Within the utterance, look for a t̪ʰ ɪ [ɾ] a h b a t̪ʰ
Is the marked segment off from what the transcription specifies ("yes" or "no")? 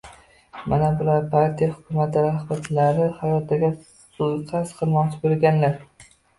no